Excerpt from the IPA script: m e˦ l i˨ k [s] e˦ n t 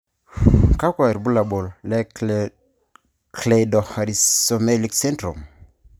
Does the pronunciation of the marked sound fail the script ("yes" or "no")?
no